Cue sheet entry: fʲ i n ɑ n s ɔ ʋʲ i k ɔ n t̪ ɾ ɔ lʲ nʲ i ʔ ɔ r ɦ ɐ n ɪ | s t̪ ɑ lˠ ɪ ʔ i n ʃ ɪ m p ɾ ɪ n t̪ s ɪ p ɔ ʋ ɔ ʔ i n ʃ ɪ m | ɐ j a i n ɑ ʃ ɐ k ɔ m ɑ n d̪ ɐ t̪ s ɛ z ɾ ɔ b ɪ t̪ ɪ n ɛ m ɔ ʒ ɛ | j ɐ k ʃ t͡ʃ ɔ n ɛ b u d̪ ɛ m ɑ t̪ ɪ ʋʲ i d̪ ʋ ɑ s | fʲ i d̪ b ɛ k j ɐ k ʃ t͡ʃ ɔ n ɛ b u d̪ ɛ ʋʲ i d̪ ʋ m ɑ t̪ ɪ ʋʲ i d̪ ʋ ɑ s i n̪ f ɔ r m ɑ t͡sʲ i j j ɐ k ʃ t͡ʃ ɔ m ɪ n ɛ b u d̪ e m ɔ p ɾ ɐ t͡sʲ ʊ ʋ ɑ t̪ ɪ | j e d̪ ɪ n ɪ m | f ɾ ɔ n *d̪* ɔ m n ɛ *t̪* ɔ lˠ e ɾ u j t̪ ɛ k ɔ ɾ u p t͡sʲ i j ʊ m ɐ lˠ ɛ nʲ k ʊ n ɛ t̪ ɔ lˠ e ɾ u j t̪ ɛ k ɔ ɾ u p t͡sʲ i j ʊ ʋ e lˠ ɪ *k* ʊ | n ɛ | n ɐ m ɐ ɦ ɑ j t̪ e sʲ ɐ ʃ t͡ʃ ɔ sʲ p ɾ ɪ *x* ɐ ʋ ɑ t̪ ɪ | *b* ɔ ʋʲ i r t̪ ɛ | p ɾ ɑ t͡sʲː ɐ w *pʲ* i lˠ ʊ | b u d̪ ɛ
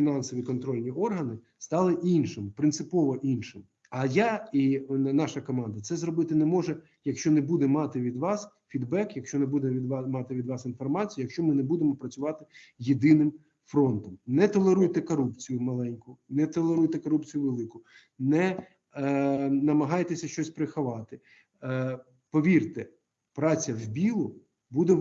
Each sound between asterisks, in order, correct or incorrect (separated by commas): incorrect, correct, correct, correct, incorrect, incorrect